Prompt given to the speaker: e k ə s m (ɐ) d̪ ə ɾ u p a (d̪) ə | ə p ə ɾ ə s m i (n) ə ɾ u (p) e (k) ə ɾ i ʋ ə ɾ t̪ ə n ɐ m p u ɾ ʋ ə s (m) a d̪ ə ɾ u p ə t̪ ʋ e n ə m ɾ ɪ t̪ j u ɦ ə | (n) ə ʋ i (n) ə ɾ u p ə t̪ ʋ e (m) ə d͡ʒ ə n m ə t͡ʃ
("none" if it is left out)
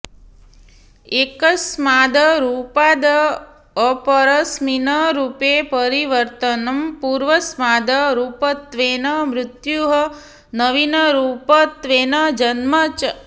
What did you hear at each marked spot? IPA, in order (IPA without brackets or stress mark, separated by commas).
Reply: a, d̪, n, p, p, m, n, n, n